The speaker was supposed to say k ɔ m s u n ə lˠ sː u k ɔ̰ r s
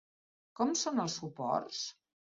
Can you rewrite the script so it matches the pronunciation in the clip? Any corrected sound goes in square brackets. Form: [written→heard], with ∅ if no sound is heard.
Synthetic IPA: k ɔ m s [u→o] n ə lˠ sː u [k→p] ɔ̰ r s

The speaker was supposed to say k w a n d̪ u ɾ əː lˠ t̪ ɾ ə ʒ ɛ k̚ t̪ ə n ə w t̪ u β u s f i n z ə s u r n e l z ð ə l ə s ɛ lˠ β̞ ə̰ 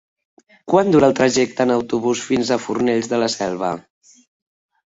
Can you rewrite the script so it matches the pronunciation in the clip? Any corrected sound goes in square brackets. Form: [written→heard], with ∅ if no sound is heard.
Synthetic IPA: k w a n d̪ u ɾ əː lˠ t̪ ɾ ə ʒ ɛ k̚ t̪ ə n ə w t̪ u β u s f i n z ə [s→f] u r n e [l→ʎ] z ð ə l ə s ɛ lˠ β̞ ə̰

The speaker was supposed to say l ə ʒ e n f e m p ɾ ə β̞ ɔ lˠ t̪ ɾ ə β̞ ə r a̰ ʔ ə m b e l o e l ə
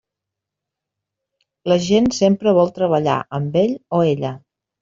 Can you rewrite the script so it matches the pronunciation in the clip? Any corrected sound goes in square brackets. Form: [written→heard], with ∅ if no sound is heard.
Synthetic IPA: l ə ʒ e n [f→s] e m p ɾ ə β̞ ɔ lˠ t̪ ɾ ə β̞ ə [r→ʎ] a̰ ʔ ə m b e [l→ʎ] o e [l→ʎ] ə

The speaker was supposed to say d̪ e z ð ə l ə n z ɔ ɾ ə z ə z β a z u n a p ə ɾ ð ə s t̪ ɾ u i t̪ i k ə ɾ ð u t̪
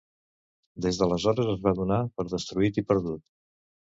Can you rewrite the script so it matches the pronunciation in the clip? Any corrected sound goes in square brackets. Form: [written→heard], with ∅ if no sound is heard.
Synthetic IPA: d̪ e z ð ə l ə [n→∅] z ɔ ɾ ə z ə z β a [z→ð] u n a p ə ɾ ð ə s t̪ ɾ u i t̪ i [k→p] ə ɾ ð u t̪

